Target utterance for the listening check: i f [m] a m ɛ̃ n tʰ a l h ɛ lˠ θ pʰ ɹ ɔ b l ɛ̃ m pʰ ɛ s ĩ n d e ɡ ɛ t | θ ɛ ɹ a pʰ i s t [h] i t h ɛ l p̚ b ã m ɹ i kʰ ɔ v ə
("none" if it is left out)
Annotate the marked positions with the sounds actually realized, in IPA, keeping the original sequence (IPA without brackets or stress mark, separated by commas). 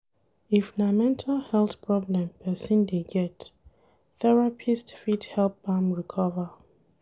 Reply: n, f